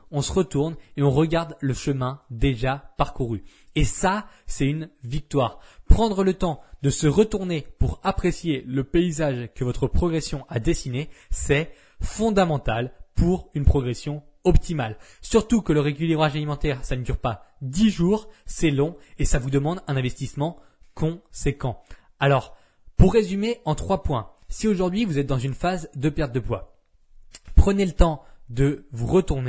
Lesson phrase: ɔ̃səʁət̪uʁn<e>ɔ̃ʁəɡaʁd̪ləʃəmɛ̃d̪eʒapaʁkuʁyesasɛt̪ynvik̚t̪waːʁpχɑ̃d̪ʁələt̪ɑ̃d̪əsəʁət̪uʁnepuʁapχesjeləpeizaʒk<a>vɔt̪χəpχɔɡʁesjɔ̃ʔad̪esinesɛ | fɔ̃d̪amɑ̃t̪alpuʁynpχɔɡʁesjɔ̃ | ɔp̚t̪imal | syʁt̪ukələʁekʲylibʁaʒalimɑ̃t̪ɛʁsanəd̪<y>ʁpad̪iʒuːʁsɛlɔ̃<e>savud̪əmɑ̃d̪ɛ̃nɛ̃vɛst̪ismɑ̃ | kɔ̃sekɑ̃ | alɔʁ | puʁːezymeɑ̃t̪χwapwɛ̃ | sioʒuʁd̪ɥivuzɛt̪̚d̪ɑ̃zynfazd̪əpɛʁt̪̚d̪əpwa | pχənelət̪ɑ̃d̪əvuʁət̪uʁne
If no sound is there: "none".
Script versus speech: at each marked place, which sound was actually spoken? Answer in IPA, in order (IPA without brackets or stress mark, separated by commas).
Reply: e, ə, y, e